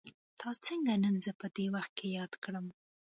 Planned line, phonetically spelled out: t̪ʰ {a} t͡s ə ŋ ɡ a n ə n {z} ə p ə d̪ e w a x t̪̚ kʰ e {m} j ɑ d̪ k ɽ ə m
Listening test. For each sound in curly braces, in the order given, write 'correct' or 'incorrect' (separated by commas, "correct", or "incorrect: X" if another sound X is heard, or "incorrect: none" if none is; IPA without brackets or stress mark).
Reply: incorrect: ɑ, correct, incorrect: none